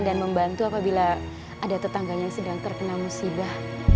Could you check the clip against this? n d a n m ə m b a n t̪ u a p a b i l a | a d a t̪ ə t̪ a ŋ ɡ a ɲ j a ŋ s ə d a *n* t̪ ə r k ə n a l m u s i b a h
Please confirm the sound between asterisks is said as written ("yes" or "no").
no